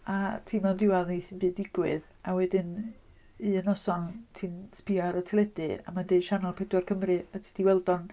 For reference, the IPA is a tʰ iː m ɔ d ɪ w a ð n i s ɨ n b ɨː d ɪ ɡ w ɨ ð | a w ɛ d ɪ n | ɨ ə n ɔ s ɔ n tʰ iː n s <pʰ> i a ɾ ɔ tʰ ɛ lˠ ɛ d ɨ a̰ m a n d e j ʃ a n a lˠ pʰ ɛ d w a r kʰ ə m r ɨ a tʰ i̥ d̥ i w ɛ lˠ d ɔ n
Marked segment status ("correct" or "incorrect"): incorrect